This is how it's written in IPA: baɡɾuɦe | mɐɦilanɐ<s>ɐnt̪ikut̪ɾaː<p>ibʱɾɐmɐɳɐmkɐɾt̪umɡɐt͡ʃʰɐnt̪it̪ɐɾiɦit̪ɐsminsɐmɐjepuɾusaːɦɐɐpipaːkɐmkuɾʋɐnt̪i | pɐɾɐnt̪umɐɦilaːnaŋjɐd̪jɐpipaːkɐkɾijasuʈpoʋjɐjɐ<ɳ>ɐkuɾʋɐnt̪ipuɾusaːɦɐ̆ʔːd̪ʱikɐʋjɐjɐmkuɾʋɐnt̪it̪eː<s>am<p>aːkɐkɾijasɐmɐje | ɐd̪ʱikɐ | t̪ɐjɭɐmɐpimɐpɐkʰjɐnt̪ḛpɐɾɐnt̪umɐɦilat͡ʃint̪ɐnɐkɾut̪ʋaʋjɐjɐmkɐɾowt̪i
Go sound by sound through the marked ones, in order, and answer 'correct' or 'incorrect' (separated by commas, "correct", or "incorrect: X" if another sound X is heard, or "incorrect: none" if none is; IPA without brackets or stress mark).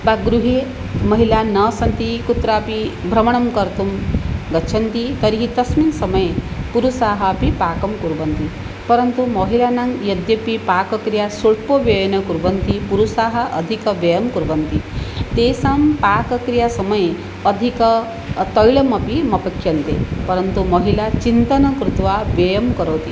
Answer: correct, correct, incorrect: n, correct, correct